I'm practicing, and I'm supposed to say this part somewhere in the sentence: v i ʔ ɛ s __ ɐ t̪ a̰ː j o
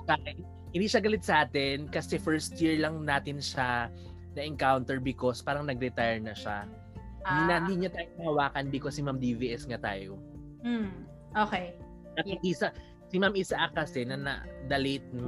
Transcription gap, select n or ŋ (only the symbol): ŋ